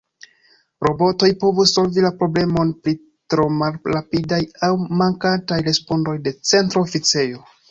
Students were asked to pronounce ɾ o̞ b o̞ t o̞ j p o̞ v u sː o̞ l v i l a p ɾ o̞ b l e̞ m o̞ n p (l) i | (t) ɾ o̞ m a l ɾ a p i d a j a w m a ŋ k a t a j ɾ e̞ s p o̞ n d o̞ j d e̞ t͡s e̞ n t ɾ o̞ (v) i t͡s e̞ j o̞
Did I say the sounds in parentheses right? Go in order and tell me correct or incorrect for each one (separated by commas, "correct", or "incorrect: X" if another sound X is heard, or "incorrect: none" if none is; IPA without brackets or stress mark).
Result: incorrect: ɾ, correct, incorrect: f